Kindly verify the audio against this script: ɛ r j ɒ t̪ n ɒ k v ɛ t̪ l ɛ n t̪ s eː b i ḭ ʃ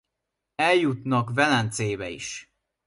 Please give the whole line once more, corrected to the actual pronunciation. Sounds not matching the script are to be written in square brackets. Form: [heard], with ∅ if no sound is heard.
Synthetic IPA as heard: ɛ [l] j [u] t̪ n ɒ k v ɛ [∅] l ɛ n t̪ s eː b [ɛ] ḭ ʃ